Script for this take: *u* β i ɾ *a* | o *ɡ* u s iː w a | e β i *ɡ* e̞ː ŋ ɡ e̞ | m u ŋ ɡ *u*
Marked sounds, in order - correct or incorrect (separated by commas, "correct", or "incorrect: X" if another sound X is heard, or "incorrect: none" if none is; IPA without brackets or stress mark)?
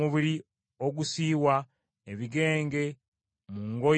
correct, incorrect: i, correct, correct, incorrect: o